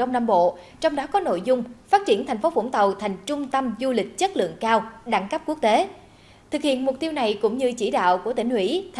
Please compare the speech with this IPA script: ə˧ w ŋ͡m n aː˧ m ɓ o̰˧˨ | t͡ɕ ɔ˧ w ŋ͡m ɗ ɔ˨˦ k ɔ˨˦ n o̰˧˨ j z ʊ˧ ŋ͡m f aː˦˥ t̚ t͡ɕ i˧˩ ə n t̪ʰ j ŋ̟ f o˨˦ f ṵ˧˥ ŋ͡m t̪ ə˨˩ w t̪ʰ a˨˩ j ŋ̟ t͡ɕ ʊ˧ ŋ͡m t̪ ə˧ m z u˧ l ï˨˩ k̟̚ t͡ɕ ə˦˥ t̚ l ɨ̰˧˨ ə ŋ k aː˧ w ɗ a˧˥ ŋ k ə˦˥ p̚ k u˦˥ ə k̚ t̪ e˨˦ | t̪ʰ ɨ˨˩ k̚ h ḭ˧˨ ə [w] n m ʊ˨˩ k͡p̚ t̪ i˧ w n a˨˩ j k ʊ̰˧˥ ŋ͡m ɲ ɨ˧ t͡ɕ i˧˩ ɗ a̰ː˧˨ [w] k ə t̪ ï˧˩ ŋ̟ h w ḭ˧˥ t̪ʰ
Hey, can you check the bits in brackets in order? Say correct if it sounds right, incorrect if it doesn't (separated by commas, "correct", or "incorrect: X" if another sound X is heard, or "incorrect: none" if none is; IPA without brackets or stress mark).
incorrect: none, correct